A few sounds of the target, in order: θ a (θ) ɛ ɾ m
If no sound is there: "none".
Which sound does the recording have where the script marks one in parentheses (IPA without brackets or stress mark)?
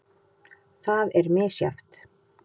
ð